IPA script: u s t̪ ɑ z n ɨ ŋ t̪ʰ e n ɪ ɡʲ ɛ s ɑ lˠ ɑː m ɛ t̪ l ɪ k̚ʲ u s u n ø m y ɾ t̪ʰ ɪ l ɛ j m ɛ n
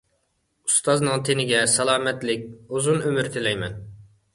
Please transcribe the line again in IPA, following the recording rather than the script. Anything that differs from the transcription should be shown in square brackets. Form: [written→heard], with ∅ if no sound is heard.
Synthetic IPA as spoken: u s t̪ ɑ z n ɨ ŋ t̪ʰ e n ɪ ɡʲ ɛ s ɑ lˠ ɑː m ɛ t̪ l ɪ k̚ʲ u [s→z] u n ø m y ɾ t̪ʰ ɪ l ɛ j m ɛ n